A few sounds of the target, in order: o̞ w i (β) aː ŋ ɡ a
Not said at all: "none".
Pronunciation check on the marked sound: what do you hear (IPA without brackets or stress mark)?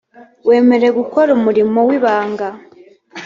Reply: β